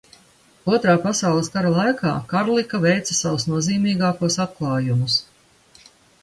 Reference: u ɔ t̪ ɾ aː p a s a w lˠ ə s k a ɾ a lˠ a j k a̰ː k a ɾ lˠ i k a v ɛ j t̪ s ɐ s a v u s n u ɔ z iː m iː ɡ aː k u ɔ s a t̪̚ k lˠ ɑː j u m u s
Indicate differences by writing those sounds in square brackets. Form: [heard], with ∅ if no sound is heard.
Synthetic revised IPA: u ɔ t̪ ɾ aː p a s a w lˠ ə s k a ɾ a lˠ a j k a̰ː k a ɾ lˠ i k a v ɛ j t̪ s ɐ s a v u s n u ɔ z iː m iː ɡ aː k u ɔ s a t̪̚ k lˠ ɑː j u m u s

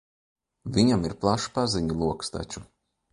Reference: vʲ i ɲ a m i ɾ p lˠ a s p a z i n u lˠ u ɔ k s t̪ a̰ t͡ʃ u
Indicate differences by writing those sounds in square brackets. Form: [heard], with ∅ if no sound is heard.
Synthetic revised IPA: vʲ i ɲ a m i ɾ p lˠ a [ʃ] p a z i [ɲ] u lˠ u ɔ k s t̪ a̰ t͡ʃ u

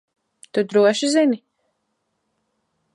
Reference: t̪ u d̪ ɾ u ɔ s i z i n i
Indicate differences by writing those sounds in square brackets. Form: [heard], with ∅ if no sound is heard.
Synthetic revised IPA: t̪ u d̪ ɾ u ɔ [ʃ] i z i n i

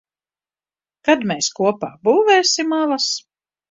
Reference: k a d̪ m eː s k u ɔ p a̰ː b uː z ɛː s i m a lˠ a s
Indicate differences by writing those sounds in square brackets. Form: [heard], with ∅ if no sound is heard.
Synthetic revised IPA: k a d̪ m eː s k u ɔ p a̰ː b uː [v] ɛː s i m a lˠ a s

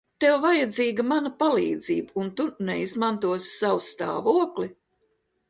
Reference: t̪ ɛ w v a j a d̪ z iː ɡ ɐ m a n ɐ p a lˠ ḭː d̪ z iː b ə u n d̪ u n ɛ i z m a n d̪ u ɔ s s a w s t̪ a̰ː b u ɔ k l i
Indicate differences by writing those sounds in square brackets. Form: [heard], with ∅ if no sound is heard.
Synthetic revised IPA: t̪ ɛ w v a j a d̪ z iː ɡ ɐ m a n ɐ p a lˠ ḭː d̪ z iː b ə u n [t̪] u n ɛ i z m a n [t̪] u ɔ s s a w s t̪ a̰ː [v] u ɔ k l i

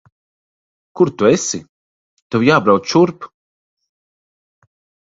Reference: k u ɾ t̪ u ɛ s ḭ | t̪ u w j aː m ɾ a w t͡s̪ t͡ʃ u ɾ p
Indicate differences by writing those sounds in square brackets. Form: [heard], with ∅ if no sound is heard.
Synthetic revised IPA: k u ɾ t̪ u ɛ s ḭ | t̪ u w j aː [b] ɾ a w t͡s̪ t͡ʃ u ɾ p

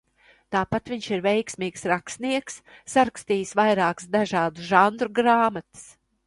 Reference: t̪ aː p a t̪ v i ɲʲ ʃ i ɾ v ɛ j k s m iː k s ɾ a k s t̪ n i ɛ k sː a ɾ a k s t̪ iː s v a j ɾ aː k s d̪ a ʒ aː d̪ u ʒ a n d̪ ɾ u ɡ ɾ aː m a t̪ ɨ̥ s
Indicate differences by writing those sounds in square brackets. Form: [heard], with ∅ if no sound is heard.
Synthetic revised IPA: t̪ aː p a t̪ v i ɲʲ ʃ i ɾ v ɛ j k s m iː k s ɾ a k s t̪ n i ɛ k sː a ɾ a k s t̪ iː s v a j ɾ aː k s d̪ a ʒ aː d̪ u ʒ a n d̪ ɾ u ɡ ɾ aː m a t̪ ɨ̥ s

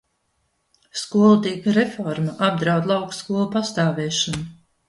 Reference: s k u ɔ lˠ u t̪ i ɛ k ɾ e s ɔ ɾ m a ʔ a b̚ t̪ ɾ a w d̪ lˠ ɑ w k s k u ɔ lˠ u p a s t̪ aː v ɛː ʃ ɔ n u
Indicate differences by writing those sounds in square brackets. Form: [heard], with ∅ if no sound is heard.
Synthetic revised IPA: s k u ɔ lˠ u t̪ i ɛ k ɾ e [f] ɔ ɾ m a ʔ a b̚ [d̪] ɾ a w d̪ lˠ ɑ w k s k u ɔ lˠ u p a s t̪ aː v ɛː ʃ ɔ n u

